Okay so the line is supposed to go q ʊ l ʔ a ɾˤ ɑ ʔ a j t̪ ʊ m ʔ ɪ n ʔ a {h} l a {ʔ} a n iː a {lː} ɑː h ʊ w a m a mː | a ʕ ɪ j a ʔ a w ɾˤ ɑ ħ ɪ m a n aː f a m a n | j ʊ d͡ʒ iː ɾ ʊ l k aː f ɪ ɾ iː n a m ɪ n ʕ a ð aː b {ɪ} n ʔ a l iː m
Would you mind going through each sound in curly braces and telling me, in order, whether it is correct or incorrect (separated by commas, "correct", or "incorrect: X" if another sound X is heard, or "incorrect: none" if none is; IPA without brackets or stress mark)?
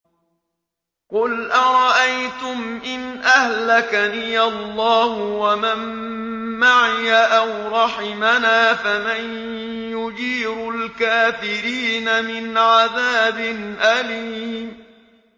correct, incorrect: k, correct, correct